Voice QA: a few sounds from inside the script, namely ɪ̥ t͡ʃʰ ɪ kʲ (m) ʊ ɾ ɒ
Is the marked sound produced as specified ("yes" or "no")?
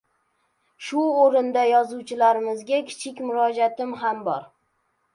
yes